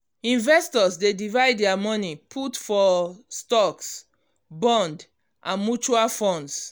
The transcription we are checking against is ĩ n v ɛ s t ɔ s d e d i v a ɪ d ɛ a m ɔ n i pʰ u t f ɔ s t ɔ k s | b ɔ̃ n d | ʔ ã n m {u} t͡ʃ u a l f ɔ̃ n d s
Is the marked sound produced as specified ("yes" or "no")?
yes